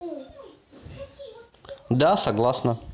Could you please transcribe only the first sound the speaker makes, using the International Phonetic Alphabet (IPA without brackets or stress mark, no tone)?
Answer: d̪